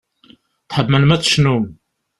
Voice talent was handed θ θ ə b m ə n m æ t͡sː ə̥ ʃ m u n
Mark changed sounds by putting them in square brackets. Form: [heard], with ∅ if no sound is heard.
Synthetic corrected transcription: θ [ħ] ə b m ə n m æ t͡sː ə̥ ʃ [n] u [m]